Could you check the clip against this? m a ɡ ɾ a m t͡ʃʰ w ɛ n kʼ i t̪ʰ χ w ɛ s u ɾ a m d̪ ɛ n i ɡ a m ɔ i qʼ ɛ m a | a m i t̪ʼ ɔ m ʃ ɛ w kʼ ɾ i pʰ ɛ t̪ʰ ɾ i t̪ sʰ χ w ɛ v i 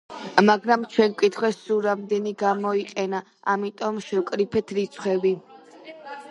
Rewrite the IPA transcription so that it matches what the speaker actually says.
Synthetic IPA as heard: m a ɡ ɾ a m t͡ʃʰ w ɛ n kʼ i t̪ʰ χ w ɛ s u ɾ a m d̪ ɛ n i ɡ a m ɔ i qʼ ɛ n a | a m i t̪ʼ ɔ m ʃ ɛ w kʼ ɾ i pʰ ɛ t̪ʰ ɾ i t̪ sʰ χ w ɛ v i